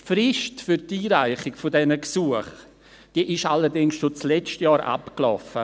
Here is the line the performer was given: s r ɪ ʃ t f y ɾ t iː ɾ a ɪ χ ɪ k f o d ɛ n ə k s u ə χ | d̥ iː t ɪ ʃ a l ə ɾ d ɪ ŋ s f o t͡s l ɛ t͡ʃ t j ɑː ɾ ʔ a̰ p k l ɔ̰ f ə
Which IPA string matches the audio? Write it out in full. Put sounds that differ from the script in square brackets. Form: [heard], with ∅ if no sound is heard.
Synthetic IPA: [f] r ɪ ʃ t f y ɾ t iː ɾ a ɪ χ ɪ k f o d ɛ n ə k s u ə χ | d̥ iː [ʔ] ɪ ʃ a l ə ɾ d ɪ ŋ s [ʃ] o t͡s l ɛ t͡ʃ t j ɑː ɾ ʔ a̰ p k l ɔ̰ f ə